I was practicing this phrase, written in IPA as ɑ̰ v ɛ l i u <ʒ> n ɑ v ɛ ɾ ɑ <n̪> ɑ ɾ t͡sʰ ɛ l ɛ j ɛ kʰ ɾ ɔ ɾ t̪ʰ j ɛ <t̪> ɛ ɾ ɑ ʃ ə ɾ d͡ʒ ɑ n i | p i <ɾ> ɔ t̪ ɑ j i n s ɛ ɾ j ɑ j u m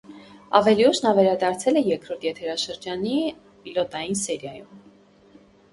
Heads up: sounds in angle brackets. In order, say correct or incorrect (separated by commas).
incorrect, incorrect, incorrect, incorrect